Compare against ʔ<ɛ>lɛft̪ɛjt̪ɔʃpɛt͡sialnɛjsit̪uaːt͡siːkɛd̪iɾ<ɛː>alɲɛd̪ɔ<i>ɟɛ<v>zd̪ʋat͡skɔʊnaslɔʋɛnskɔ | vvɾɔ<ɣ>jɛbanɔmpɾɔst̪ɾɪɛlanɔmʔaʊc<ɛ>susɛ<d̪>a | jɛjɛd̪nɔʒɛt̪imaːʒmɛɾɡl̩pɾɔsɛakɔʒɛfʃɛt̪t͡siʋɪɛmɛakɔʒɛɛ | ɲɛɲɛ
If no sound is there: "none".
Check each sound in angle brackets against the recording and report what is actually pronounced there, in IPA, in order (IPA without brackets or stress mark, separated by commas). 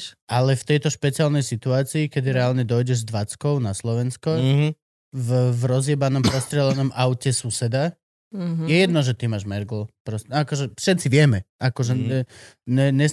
a, ɛ, j, ʒ, z, ɛ, d̪